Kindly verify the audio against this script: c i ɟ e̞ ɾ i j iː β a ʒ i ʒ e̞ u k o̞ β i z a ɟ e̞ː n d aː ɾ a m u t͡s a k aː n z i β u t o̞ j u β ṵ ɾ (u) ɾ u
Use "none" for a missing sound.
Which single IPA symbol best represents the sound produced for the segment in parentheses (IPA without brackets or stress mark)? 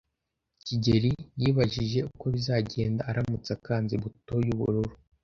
u